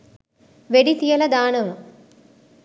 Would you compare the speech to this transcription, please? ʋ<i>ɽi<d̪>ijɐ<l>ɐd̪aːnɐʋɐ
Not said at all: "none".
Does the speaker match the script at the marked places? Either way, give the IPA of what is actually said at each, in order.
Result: e, t̪, l

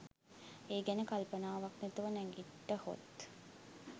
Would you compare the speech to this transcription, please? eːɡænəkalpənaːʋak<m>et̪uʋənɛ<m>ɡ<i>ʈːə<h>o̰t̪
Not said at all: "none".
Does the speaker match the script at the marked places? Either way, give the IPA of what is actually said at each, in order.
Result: n, ŋ, i, h

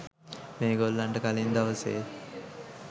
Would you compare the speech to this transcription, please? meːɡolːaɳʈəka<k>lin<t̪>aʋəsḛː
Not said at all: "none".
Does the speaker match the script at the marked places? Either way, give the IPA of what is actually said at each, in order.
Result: none, d̪

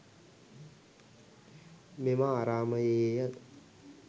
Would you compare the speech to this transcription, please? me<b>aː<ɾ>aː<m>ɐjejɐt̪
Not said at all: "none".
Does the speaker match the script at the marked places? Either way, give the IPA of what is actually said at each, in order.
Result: m, ɾ, m

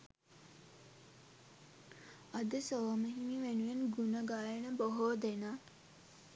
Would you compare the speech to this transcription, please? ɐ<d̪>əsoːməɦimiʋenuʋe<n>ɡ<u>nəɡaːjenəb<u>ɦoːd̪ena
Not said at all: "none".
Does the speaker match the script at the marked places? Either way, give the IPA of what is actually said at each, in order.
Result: d̪, n, u, o

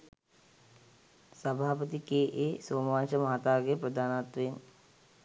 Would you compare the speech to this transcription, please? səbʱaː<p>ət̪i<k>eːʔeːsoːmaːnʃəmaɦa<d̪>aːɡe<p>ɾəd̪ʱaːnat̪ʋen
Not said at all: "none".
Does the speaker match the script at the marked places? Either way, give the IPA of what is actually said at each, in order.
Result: p, k, t̪, p

